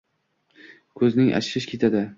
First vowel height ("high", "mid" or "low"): mid